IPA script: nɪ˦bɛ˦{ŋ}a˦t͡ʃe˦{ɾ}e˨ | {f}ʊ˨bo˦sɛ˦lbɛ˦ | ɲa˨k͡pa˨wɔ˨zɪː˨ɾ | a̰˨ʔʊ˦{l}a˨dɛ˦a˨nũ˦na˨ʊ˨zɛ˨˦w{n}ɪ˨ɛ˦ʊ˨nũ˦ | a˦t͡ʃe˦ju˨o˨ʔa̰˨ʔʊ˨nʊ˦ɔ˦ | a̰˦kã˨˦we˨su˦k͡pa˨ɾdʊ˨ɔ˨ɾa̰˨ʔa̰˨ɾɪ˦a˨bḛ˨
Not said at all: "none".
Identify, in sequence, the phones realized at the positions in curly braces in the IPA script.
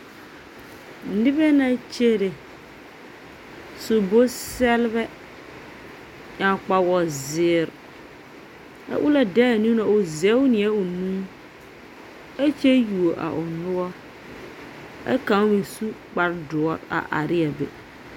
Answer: n, ɾ, s, l, n

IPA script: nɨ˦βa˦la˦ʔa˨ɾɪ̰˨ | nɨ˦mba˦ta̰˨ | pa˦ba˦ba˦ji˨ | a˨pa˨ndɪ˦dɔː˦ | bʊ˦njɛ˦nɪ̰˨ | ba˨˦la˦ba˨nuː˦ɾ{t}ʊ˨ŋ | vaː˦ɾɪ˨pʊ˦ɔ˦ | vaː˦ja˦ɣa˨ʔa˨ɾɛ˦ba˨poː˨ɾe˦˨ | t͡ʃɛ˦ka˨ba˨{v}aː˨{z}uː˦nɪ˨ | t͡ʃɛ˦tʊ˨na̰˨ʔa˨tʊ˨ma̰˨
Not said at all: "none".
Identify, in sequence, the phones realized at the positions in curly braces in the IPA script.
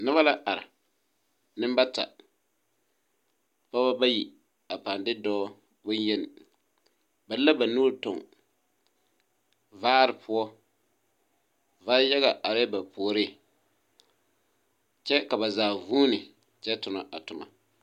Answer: t, z, v

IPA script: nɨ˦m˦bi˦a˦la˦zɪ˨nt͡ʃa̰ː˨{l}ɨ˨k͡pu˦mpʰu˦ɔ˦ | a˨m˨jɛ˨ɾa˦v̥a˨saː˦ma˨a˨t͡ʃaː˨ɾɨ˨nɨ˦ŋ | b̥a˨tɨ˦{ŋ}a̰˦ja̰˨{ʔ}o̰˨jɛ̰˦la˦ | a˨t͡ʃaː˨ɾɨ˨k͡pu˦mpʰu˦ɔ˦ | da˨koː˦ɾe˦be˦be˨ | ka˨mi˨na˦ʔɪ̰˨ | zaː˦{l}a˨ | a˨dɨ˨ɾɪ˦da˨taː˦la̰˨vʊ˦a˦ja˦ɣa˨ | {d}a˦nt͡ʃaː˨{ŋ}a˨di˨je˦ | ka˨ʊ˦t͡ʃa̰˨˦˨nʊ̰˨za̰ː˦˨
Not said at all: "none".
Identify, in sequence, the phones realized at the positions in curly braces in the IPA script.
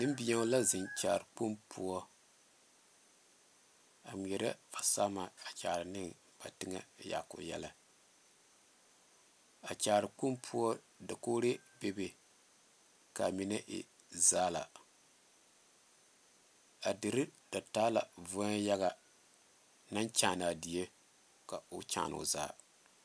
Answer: ɾ, ŋ, k, l, n, n

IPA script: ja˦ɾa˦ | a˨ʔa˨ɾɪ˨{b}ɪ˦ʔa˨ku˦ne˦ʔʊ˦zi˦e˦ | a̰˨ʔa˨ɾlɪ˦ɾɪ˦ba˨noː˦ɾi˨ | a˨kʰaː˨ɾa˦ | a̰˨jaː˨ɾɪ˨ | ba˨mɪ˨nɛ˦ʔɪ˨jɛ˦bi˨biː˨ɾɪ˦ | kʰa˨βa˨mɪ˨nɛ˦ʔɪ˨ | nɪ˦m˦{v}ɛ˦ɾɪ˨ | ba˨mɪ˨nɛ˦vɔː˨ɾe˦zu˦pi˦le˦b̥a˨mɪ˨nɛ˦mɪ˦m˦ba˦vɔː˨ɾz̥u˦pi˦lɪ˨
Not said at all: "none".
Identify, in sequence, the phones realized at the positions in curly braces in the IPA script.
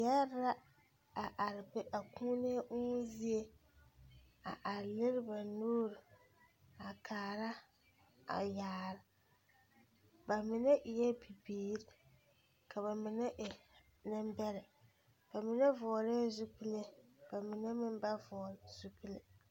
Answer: b, b

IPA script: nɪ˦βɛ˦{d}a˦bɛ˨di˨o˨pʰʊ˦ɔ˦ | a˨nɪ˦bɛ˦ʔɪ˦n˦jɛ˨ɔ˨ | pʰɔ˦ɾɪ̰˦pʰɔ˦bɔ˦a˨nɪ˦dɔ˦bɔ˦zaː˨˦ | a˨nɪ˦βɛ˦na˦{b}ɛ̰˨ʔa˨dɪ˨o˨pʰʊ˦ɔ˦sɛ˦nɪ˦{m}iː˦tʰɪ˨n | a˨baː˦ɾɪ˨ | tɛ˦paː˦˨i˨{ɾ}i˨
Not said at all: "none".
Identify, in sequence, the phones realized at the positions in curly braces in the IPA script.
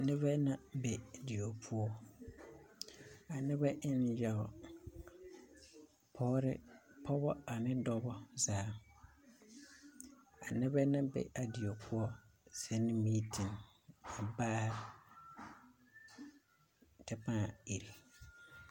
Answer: n, b, m, ɾ

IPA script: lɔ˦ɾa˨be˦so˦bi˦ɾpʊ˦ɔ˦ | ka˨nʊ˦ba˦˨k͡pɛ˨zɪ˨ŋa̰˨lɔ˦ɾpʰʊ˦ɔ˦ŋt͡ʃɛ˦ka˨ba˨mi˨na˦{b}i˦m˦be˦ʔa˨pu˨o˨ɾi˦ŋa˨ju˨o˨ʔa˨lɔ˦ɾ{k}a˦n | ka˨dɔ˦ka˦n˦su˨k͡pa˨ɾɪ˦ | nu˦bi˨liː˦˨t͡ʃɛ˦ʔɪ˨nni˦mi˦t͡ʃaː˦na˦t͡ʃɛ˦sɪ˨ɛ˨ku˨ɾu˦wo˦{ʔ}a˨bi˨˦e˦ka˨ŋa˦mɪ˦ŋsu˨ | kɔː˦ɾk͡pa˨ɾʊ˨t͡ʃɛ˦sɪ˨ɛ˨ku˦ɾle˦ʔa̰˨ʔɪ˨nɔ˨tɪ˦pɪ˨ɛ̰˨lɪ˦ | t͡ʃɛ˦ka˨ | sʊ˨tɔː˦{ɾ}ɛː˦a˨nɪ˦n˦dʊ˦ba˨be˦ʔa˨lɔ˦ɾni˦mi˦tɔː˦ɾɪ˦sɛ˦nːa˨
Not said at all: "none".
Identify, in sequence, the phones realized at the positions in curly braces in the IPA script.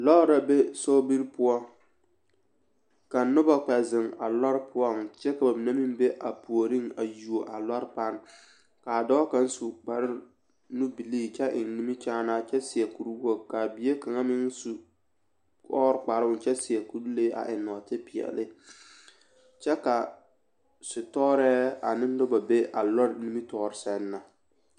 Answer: m, p, k, ɾ

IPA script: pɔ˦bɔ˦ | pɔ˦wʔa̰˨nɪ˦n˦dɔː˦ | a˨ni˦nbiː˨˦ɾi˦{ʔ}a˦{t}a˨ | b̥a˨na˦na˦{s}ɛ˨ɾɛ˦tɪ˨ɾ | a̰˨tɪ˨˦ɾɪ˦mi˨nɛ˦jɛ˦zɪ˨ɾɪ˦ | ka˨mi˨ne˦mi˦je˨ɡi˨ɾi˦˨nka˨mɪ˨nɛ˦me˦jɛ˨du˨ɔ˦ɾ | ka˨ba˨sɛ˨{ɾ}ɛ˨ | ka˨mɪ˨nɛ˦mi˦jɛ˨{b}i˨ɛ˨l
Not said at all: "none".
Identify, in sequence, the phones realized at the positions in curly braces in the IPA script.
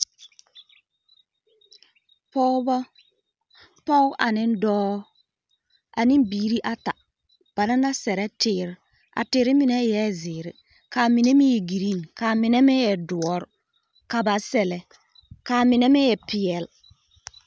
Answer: ʔ, t, s, l, p

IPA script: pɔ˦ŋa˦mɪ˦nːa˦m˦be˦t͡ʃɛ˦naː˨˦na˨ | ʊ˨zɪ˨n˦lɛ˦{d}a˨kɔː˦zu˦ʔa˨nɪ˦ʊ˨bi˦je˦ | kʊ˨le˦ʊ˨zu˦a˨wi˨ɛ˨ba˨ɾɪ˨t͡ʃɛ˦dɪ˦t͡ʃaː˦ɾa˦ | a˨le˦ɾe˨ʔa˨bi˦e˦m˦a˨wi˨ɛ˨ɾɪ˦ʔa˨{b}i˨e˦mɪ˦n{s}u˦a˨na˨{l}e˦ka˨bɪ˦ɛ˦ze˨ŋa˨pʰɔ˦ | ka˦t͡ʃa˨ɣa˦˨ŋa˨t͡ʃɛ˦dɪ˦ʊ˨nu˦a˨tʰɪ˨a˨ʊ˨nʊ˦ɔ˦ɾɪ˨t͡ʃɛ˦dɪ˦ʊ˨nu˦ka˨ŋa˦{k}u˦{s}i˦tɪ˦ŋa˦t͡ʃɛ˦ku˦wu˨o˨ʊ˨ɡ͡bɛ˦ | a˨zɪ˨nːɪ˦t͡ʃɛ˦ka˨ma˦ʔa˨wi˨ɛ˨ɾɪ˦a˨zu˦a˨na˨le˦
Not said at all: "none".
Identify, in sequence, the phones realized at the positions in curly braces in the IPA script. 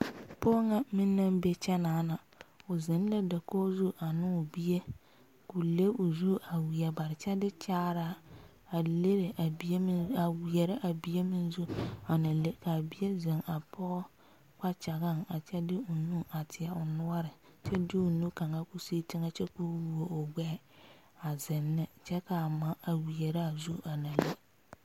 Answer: d, b, z, l, k, s

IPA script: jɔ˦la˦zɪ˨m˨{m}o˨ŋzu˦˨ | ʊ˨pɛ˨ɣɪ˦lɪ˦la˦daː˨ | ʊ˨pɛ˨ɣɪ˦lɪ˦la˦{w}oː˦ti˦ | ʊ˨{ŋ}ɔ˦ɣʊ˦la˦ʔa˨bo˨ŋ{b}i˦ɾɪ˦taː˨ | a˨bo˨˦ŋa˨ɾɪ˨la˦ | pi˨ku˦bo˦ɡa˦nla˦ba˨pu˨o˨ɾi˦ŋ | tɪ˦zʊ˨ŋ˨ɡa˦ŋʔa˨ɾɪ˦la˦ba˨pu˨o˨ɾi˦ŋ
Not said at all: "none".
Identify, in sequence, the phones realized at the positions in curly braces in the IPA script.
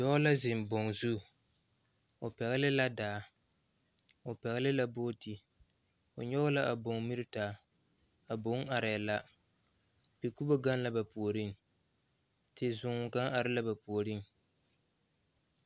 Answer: b, b, ɲ, m

